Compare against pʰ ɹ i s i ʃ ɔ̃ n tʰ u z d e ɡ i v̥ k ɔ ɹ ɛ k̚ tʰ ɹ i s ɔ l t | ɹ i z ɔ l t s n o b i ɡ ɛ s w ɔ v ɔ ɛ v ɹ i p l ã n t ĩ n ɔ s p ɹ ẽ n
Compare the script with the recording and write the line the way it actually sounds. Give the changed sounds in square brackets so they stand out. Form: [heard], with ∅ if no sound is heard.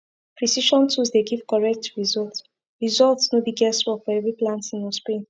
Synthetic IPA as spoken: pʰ ɹ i s i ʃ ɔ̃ n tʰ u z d e ɡ i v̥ k ɔ ɹ ɛ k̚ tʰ ɹ i [z] ɔ l t | ɹ i z ɔ l t s n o b i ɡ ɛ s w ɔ [f] ɔ ɛ v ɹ i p l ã n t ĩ n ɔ s p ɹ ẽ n